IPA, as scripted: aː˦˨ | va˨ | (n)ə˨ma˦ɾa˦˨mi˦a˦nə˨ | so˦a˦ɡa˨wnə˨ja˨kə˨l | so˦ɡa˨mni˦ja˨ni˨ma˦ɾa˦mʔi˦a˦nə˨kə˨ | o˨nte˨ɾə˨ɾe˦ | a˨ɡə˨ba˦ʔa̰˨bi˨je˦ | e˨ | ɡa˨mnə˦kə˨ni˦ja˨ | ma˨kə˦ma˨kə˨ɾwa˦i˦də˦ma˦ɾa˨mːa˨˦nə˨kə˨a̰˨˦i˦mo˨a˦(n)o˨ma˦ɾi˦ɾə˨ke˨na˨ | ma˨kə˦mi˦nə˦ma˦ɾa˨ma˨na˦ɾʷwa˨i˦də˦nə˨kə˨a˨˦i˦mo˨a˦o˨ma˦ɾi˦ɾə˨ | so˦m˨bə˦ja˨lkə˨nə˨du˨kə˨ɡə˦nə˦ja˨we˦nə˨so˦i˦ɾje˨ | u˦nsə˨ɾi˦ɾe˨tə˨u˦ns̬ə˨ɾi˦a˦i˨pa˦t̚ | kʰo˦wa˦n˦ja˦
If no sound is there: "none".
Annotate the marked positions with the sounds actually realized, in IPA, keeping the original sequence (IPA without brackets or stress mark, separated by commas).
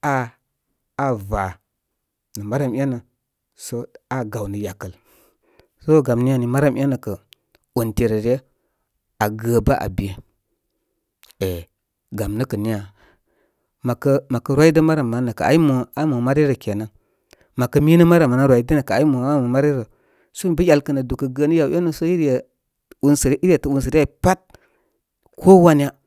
n, m